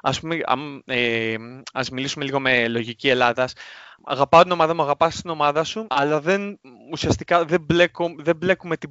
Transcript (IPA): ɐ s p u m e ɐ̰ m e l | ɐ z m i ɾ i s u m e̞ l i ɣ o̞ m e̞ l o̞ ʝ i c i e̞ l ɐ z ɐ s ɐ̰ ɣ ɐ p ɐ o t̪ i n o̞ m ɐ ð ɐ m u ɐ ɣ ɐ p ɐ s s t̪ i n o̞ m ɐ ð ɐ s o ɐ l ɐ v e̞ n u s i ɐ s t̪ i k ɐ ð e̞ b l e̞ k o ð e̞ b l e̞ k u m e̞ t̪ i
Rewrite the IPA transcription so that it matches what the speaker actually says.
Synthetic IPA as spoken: ɐ s p u m e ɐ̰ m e | ɐ z m i l i s u m e̞ l i ɣ o̞ m e̞ l o̞ ʝ i c i e̞ l ɐ ð ɐ s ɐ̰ ɣ ɐ p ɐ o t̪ i n o̞ m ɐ ð ɐ m u ɐ ɣ ɐ p ɐ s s t̪ i n o̞ m ɐ ð ɐ s u ɐ l ɐ ð e̞ n u s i ɐ s t̪ i k ɐ ð e̞ b l e̞ k o ð e̞ b l e̞ k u m e̞ t̪ i